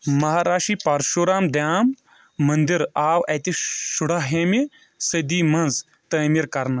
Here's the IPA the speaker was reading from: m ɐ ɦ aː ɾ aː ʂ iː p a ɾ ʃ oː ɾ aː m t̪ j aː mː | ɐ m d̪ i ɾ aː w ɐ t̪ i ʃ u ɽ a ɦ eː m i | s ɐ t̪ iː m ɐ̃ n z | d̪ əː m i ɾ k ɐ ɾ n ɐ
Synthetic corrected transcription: m ɐ ɦ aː ɾ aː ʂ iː p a ɾ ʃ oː ɾ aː m d̪ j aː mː | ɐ n d̪ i ɾ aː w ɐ t̪ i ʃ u ɽ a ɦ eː m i | s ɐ d̪ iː m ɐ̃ n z | t̪ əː m i ɾ k ɐ ɾ n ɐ